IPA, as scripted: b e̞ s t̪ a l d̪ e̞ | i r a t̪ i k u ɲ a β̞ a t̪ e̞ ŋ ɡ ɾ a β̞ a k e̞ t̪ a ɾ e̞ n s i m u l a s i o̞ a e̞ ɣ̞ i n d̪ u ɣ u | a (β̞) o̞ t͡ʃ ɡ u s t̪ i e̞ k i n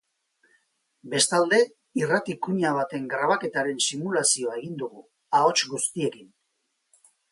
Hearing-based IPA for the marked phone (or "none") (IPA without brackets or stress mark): none